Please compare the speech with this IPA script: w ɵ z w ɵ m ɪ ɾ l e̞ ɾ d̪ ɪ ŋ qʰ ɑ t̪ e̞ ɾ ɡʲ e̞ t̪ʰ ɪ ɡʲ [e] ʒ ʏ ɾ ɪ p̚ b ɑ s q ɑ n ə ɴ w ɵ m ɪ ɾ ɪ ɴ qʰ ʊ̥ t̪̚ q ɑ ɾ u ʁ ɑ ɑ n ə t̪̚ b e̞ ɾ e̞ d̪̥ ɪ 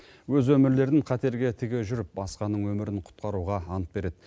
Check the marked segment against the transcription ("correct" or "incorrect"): correct